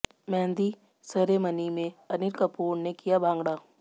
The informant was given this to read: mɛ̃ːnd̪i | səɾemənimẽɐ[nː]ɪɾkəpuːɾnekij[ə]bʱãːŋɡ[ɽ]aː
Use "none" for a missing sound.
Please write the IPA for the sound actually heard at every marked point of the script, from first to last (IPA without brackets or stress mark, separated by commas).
n, a, ɽ